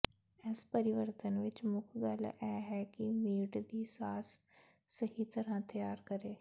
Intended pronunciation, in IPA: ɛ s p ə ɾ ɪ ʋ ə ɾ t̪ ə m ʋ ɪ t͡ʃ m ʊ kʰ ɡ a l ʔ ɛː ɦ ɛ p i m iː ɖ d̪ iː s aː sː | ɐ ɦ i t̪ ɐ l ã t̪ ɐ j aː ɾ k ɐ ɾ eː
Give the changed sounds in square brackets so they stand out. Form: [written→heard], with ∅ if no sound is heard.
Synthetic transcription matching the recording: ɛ s p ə ɾ ɪ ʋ ə ɾ t̪ ə [m→n] ʋ ɪ t͡ʃ m ʊ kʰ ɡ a l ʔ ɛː ɦ ɛ [p→k] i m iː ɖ d̪ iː s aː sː | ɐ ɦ i t̪ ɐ [l→ɾ] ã t̪ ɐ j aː ɾ k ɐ ɾ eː